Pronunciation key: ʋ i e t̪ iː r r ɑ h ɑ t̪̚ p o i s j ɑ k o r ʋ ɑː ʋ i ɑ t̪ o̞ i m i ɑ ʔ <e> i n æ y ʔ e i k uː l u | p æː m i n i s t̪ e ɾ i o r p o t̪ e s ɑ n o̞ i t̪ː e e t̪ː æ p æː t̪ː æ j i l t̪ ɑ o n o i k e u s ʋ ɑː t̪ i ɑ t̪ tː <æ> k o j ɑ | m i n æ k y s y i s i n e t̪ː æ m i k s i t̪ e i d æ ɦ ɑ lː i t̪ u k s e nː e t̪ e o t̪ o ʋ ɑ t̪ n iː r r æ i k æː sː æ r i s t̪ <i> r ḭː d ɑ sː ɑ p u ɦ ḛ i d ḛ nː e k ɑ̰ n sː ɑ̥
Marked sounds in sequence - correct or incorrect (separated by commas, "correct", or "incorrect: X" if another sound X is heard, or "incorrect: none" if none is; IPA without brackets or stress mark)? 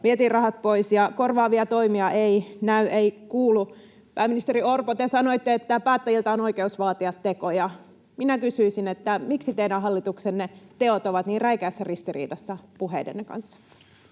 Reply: correct, incorrect: e, correct